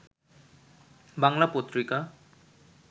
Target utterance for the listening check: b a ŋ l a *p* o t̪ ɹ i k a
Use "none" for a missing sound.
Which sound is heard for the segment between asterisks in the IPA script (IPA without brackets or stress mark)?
p